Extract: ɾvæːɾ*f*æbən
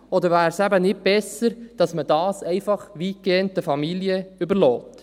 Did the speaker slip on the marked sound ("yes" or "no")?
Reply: yes